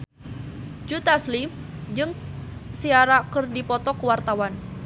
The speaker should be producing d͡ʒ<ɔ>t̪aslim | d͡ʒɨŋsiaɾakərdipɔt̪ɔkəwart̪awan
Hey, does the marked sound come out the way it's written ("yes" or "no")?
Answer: no